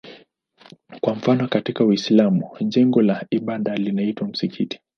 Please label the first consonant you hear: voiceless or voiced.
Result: voiceless